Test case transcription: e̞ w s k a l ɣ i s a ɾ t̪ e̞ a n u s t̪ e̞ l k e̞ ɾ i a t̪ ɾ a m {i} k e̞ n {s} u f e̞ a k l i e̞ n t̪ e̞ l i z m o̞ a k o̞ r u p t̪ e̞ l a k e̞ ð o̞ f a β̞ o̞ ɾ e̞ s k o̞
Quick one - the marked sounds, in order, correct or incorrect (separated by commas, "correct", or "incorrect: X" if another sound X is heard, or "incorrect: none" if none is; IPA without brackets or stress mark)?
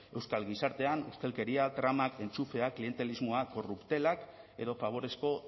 incorrect: a, incorrect: t͡s